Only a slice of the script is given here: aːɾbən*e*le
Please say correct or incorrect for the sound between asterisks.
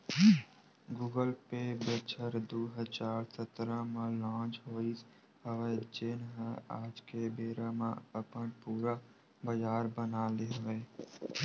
incorrect